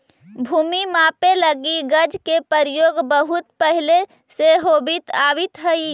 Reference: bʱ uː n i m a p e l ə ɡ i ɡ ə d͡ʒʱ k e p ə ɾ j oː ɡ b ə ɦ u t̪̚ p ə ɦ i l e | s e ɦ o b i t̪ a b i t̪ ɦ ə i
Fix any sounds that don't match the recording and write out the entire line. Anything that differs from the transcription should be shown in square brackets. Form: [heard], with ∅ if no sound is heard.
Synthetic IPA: bʱ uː [m] i m a p e l ə ɡ i ɡ ə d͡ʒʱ k e p ə ɾ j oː ɡ b ə ɦ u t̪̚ p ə ɦ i l e | s e ɦ o b i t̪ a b i t̪ ɦ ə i